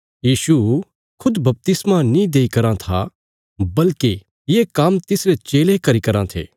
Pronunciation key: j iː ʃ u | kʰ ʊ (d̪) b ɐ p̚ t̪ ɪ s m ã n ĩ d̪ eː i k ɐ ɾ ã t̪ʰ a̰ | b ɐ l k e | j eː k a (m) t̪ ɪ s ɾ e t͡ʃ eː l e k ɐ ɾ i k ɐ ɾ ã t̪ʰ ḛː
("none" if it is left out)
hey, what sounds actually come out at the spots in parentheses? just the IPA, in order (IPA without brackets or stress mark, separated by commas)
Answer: d̪, m